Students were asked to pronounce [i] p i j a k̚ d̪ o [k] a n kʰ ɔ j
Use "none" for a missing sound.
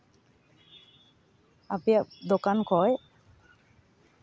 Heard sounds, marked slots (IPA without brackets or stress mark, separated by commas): a, k